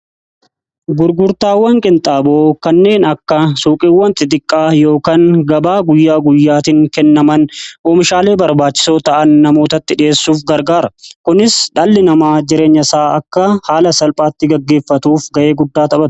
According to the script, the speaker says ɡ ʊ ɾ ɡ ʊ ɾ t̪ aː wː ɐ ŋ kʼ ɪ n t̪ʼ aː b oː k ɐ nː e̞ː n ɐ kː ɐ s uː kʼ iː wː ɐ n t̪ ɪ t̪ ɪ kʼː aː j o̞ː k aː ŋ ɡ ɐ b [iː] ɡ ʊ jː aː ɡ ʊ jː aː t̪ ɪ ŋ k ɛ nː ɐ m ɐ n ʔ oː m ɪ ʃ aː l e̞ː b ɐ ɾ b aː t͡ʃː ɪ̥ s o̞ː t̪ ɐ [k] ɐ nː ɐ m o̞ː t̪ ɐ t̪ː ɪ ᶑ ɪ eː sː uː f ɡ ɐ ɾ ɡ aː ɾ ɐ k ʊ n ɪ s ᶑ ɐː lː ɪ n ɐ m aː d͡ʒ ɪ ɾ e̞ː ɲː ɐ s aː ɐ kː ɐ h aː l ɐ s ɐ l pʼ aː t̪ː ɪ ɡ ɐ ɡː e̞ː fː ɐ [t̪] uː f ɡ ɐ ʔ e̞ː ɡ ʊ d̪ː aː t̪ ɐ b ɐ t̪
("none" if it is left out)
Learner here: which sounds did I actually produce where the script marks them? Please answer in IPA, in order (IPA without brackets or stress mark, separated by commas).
aː, ʔ, t̪